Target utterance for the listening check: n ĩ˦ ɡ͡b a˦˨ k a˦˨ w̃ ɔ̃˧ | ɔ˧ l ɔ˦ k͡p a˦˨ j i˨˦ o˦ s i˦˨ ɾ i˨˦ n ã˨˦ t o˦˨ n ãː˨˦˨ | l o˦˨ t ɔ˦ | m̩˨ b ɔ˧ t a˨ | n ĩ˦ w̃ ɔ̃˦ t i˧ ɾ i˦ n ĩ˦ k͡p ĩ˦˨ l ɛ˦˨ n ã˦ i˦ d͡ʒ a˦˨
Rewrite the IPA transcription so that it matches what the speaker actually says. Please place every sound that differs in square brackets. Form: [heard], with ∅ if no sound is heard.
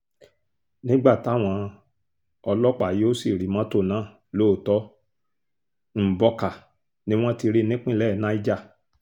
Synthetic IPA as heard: n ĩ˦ ɡ͡b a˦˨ [t] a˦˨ w̃ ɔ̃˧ | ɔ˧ l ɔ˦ k͡p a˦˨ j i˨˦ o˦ s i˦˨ ɾ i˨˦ [m] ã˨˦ t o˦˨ n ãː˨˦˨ | l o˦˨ t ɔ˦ | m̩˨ b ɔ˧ [k] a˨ | n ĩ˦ w̃ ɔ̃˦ t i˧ ɾ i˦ n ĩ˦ k͡p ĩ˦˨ l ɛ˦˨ n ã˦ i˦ d͡ʒ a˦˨